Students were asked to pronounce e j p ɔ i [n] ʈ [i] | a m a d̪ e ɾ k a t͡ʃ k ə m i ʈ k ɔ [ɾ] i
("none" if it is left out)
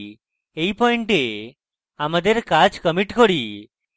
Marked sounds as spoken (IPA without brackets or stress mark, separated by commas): ɳ, e, ɽ